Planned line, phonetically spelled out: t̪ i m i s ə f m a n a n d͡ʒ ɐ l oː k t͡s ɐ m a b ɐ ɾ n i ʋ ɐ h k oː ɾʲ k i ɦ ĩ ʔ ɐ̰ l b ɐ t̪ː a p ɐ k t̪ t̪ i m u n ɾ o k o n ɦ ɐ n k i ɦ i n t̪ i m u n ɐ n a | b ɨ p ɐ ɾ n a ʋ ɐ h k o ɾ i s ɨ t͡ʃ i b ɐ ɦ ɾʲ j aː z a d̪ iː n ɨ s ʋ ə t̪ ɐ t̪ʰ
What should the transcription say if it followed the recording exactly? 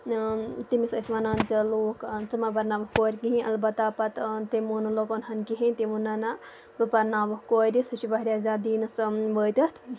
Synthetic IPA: t̪ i m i s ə s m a n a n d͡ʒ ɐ l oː k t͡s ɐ m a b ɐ ɾ n a ʋ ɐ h k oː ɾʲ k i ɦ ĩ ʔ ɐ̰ l b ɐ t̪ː a p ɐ t̪ t̪ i m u n l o k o n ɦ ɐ n k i ɦ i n t̪ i m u n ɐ n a | b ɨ p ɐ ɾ n a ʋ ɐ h k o ɾ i s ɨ t͡ʃ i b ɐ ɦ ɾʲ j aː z a d̪ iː n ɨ s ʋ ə t̪ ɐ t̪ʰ

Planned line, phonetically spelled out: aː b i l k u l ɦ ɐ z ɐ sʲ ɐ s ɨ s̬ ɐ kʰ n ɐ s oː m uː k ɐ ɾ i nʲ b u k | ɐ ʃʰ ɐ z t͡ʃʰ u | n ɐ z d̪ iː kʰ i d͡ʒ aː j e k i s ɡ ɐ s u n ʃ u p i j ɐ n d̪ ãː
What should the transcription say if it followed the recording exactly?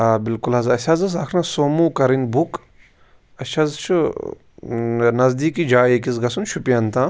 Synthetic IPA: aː b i l k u l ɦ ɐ z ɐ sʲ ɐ z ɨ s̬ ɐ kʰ n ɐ s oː m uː k ɐ ɾ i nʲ b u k | ɐ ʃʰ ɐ z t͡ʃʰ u | n ɐ z d̪ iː k i d͡ʒ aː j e k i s ɡ ɐ s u n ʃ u p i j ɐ n t̪ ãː

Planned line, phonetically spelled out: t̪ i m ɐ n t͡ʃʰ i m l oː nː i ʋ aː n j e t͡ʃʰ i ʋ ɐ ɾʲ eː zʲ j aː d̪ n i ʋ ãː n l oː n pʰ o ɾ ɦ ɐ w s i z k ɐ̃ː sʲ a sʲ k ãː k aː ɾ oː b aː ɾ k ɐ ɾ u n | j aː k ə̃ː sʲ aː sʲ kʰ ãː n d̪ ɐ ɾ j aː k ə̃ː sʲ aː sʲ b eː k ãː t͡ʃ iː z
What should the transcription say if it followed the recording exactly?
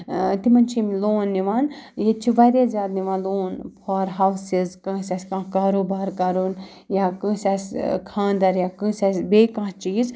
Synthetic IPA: t̪ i m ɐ n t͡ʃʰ i m l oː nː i ʋ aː n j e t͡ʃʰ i ʋ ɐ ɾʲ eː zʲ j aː d̪ n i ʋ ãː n l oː n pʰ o ɾ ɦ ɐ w s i z k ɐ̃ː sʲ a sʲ k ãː k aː ɾ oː b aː ɾ k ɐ ɾ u n | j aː k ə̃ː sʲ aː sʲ kʰ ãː n d̪ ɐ ɾ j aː k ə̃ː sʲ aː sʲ b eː k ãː t͡ʃ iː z

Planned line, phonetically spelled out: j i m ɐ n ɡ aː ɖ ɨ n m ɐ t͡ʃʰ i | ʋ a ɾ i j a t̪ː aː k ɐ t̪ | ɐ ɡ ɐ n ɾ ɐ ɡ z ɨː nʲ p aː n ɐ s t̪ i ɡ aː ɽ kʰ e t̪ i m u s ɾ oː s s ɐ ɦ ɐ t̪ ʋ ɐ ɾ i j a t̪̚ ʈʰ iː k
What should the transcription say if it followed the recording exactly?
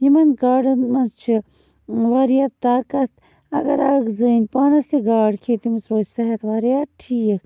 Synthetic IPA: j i m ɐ n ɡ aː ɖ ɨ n m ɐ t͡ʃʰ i | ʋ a ɾ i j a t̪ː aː k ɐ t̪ | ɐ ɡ ɐ ɾ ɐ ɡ z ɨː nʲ p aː n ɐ s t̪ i ɡ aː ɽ kʰ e t̪ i m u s ɾ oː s s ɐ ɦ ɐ t̪ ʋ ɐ ɾ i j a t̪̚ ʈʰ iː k

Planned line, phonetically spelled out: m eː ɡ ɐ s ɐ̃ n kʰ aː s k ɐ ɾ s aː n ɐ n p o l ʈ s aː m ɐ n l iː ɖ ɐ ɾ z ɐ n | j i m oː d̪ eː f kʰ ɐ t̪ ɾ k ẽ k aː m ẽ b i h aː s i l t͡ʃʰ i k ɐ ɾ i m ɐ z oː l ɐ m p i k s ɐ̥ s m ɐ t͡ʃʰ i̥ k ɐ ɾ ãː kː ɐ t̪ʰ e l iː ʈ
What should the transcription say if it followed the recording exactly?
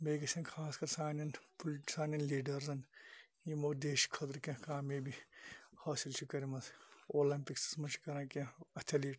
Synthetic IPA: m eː ɡ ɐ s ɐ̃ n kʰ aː s k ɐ ɾ s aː n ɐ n p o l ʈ s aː n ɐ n l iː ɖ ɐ ɾ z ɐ n | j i m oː d̪ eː ʃ kʰ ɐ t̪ ɾ k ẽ k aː m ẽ b i h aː s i l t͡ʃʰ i k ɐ ɾ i m ɐ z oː l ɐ m p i k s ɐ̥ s m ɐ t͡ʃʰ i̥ k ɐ ɾ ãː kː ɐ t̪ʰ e l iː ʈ

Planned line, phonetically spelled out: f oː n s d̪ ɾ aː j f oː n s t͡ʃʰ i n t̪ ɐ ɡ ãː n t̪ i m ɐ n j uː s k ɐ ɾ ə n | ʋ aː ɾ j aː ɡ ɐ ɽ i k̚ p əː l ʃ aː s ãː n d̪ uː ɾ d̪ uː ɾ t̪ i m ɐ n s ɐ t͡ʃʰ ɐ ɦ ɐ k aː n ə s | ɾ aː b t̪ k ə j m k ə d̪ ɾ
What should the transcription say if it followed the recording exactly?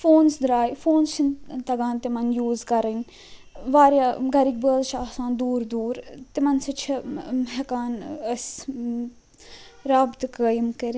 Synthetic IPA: f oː n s d̪ ɾ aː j f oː n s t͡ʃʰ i n t̪ ɐ ɡ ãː n t̪ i m ɐ n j uː z k ɐ ɾ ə n | ʋ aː ɾ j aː ɡ ɐ ɾ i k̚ b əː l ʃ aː s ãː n d̪ uː ɾ d̪ uː ɾ t̪ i m ɐ n s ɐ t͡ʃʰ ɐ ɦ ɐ k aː n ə s | ɾ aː b t̪ k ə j m k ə ɾ

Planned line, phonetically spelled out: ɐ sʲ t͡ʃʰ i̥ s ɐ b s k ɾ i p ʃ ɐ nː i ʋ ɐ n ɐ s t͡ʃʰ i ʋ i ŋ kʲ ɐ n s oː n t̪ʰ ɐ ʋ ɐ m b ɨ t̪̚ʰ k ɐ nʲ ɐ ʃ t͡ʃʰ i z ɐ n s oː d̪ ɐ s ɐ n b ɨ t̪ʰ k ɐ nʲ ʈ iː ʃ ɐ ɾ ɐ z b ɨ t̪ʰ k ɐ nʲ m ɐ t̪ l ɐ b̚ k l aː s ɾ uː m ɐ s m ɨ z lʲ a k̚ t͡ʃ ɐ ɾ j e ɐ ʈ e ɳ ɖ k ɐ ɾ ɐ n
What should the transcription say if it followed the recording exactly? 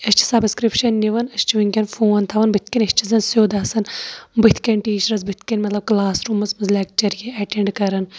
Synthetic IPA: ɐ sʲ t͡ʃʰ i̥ s ɐ b s k ɾ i p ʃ ɐ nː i ʋ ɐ n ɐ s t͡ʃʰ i ʋ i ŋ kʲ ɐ n f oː n t̪ʰ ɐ ʋ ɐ n b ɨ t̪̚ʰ k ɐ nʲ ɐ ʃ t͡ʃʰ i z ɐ n s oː d̪ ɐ s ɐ n b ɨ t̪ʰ k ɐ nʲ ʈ iː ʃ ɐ ɾ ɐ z b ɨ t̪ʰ k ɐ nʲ m ɐ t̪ l ɐ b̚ k l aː s ɾ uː m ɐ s m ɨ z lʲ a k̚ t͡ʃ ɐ ɾ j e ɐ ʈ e ɳ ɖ k ɐ ɾ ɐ n

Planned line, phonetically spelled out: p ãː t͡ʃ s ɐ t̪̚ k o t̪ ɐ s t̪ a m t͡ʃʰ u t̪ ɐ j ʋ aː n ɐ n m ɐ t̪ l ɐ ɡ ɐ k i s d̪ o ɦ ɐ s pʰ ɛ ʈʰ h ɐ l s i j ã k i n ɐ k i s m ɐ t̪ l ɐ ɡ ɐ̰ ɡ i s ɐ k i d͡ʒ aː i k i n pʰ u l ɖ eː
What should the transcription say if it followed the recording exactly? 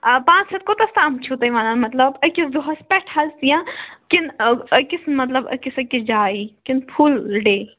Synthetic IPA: p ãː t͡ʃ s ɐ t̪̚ k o t̪ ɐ s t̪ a m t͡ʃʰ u t̪ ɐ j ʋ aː n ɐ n m ɐ t̪ l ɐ b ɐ k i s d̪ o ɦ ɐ s p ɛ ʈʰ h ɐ l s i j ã k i n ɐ k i s m ɐ t̪ l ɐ b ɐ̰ k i s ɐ k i d͡ʒ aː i k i n pʰ u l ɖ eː

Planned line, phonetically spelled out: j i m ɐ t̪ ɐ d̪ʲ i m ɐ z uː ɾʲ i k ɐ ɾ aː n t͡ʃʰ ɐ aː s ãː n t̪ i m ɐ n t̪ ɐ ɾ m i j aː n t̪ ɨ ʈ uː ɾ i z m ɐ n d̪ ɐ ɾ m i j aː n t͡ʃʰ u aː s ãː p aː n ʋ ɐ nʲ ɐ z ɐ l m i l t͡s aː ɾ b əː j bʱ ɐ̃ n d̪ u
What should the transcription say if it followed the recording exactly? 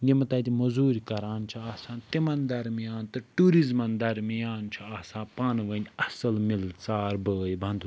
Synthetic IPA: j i m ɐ t̪ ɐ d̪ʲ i m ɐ z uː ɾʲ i k ɐ ɾ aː n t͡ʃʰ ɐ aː s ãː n t̪ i m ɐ n d̪ ɐ ɾ m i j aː n t̪ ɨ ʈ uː ɾ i z m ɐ n d̪ ɐ ɾ m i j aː n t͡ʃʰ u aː s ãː p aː n ʋ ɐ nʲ ɐ s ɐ l m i l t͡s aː ɾ b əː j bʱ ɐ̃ n d̪ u

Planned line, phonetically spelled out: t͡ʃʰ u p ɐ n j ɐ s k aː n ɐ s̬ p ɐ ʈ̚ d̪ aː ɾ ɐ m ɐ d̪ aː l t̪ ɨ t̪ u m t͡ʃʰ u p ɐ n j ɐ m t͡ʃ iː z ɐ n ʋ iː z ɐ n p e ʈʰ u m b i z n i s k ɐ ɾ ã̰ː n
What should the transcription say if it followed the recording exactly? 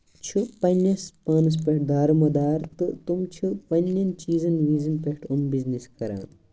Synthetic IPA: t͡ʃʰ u p ɐ n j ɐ s p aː n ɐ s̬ p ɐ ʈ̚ d̪ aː ɾ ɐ m ɐ d̪ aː ɾ t̪ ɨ t̪ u m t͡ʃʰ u p ɐ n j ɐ n t͡ʃ iː z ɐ n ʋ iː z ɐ n p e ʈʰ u m b i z n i s k ɐ ɾ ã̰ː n

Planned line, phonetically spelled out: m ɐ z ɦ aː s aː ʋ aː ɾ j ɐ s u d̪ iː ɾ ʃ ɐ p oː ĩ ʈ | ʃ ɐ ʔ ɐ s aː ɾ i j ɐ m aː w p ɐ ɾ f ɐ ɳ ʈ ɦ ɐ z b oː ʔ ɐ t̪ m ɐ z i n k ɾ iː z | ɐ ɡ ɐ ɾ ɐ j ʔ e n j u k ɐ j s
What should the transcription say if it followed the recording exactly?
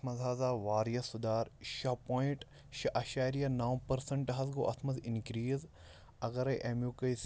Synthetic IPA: m ɐ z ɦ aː z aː ʋ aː ɾ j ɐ s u d̪ aː ɾ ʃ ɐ p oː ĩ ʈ | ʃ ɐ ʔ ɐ ʃ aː ɾ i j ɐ n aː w p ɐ ɾ s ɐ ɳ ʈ ɦ ɐ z ɡ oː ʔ ɐ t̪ m ɐ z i n k ɾ iː z | ɐ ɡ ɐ ɾ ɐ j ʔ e m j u k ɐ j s

